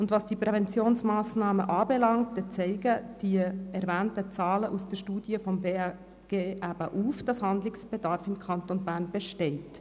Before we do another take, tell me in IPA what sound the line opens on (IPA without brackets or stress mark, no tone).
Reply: ʊ